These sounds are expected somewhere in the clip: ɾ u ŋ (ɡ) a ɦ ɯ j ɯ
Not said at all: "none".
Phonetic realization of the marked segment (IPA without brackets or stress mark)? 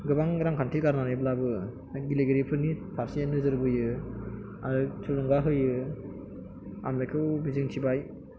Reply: ɡ